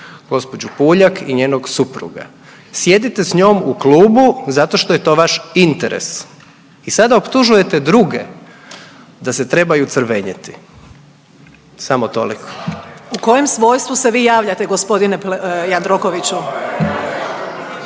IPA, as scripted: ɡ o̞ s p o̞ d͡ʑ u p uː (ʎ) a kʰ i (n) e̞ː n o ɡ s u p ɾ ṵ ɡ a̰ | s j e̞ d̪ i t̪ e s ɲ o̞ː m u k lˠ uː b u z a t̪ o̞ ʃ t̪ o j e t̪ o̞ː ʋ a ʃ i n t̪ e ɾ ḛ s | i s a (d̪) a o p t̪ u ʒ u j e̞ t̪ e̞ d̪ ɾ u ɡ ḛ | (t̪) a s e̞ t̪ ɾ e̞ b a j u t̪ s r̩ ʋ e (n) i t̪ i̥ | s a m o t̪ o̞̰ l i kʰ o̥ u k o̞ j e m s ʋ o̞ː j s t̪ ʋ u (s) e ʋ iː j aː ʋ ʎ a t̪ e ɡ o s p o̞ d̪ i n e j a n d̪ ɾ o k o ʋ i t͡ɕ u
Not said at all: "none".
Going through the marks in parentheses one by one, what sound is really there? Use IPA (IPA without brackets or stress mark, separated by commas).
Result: ʎ, ɲ, d̪, d̪, ɲ, s